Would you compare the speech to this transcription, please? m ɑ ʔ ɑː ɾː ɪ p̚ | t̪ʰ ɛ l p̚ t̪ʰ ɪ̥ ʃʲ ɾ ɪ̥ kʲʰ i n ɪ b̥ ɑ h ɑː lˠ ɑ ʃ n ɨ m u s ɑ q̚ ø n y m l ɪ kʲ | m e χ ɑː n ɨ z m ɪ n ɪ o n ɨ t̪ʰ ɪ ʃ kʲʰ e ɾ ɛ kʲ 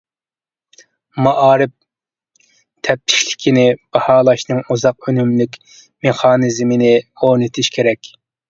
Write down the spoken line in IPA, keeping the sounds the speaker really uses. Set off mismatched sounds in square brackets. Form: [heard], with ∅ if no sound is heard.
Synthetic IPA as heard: m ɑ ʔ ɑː [ɾ] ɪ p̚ | t̪ʰ ɛ [∅] p̚ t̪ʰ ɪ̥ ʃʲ [l] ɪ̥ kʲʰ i n ɪ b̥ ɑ h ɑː lˠ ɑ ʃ n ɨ [ŋ] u [z] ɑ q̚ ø n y m l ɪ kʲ | m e χ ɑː n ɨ z m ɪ n ɪ o n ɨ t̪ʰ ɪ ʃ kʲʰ e ɾ ɛ kʲ